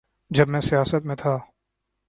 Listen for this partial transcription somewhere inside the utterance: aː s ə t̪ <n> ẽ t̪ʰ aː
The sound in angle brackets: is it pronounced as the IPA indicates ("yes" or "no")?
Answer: no